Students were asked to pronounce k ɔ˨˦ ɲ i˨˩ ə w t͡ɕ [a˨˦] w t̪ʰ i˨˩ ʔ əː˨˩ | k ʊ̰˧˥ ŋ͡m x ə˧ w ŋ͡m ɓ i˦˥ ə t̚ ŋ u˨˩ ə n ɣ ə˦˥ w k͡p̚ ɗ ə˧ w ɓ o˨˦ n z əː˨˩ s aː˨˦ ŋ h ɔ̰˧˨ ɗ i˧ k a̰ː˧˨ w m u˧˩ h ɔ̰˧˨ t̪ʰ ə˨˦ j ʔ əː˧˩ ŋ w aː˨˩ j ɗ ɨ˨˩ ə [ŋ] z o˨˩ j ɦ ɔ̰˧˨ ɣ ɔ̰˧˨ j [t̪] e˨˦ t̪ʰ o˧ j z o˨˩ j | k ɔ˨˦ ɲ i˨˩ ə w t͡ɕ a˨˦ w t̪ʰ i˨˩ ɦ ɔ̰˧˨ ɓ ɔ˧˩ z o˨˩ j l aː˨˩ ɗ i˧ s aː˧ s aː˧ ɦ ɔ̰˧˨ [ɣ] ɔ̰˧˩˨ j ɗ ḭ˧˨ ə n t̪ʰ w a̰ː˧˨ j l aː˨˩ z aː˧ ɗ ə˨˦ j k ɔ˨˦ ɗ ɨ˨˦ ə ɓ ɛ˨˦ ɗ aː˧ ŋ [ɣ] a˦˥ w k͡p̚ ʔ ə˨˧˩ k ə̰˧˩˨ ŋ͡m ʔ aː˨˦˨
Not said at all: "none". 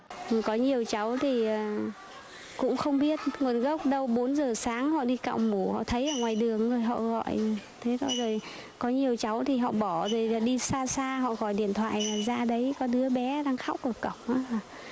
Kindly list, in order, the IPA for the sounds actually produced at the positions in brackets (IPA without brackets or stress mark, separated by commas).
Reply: a˨˦, ŋ, t̪ʰ, ɣ, x